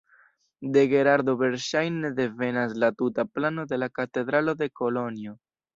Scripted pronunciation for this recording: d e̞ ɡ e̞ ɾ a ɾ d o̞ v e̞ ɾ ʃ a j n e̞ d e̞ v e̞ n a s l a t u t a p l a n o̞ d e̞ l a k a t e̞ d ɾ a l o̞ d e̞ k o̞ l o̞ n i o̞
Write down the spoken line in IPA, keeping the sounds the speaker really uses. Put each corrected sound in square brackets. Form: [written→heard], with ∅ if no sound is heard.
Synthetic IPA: d e̞ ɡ e̞ ɾ a ɾ d o̞ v e̞ ɾ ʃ a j n e̞ d e̞ v e̞ n a s l a t u t a p l a n o̞ d e̞ l a k a t e̞ d ɾ a l o̞ d e̞ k o̞ l o̞ n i o̞